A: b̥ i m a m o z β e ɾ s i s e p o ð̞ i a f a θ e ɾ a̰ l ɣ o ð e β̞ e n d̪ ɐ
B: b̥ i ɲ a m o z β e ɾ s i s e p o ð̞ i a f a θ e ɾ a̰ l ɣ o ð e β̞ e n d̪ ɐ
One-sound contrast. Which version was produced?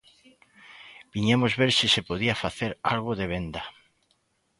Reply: B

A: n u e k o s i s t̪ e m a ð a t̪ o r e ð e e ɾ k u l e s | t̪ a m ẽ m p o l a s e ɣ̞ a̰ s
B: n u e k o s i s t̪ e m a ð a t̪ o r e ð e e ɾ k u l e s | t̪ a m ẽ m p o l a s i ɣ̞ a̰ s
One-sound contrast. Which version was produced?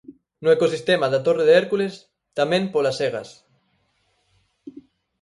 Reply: A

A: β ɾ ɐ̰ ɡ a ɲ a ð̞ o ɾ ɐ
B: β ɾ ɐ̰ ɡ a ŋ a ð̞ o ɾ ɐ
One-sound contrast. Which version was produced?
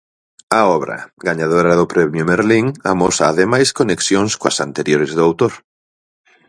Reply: A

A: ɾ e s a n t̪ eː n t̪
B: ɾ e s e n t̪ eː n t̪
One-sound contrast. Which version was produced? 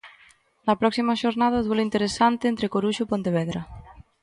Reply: A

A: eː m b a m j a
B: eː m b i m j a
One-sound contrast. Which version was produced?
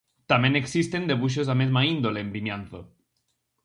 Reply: B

